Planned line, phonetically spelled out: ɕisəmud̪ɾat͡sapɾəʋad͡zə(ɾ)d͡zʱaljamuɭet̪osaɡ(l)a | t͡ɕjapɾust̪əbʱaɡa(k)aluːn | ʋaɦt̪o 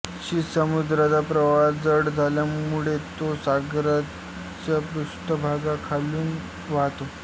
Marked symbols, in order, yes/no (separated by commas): no, no, no